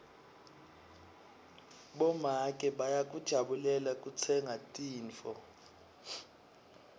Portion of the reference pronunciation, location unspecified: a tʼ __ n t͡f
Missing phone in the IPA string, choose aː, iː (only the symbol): iː